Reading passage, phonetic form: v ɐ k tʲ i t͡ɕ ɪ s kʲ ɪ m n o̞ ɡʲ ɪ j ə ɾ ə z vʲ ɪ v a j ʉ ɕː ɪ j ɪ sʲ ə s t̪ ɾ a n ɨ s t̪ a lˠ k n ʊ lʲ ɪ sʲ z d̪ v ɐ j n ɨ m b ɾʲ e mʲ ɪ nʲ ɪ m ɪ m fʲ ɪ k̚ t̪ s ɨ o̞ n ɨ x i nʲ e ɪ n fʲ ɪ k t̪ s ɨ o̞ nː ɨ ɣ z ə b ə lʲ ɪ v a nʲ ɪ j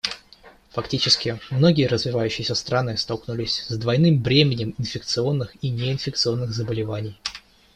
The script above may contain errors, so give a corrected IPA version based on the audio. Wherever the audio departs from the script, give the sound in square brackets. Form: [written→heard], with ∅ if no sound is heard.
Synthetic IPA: [v→f] ɐ k tʲ i t͡ɕ ɪ s kʲ ɪ m n o̞ ɡʲ ɪ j ə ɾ ə z vʲ ɪ v a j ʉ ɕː ɪ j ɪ sʲ ə s t̪ ɾ a n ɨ s t̪ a lˠ k n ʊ lʲ ɪ sʲ z d̪ v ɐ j n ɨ m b ɾʲ e mʲ ɪ nʲ ɪ m ɪ [m→n] fʲ ɪ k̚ t̪ s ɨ o̞ [n→nː] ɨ x i nʲ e ɪ n fʲ ɪ k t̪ s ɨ o̞ nː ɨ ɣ z ə b ə lʲ ɪ v a nʲ ɪ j